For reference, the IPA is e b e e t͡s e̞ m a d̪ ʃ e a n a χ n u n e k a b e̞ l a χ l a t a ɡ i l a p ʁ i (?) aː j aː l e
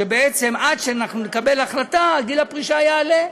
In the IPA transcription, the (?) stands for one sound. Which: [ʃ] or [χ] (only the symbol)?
ʃ